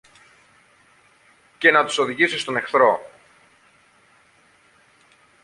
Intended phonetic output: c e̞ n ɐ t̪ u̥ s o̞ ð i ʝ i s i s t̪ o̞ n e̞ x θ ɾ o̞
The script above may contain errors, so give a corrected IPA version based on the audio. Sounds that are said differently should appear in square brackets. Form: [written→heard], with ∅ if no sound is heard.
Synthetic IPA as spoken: c e̞ n ɐ t̪ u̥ s o̞ ð i ʝ i s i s t̪ o̞ n e̞ x θ ɾ o̞